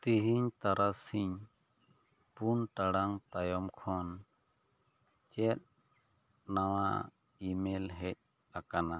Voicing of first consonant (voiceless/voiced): voiceless